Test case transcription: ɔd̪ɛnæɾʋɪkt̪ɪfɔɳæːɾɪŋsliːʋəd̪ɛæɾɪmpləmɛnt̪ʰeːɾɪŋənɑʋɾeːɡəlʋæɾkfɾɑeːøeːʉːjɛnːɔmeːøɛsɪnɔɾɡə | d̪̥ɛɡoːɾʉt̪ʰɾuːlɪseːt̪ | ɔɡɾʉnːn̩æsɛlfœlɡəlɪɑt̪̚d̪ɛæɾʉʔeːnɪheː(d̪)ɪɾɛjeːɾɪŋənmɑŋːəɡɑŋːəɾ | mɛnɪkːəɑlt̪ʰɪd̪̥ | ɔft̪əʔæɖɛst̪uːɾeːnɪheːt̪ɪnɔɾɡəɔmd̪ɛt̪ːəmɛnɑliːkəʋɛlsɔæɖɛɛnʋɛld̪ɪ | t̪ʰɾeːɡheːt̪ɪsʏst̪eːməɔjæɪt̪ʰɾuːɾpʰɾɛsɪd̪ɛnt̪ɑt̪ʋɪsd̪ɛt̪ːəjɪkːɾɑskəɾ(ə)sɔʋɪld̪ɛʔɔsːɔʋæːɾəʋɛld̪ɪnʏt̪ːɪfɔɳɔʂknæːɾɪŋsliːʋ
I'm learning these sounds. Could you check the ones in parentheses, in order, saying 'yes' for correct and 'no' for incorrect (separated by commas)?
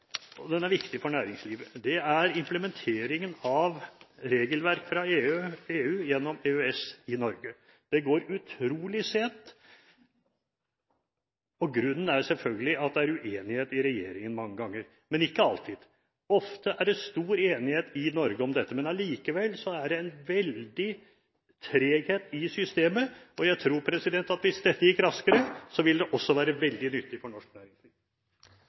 no, yes